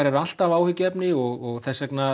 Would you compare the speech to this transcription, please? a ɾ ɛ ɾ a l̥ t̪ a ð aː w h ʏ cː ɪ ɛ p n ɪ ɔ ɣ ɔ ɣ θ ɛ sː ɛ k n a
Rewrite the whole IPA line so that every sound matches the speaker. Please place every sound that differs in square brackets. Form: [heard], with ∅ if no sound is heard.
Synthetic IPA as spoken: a ɾ ɛ ɾ a l̥ t̪ a [v] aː w h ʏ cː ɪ ɛ p n ɪ ɔ ɣ ɔ ɣ θ ɛ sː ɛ k n a